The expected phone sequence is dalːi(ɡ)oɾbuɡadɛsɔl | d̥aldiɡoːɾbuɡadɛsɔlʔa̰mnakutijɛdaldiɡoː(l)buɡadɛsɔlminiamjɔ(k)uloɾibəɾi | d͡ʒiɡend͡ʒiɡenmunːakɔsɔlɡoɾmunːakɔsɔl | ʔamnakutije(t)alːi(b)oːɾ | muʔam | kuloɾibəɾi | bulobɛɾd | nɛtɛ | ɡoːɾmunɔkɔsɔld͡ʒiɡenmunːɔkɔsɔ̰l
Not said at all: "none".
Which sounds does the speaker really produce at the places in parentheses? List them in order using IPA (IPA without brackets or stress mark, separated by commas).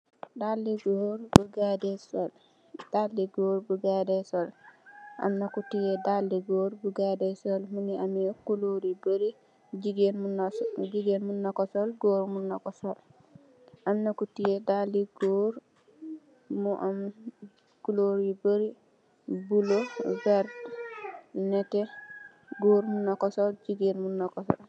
ɡ, ɾ, k, d, ɡ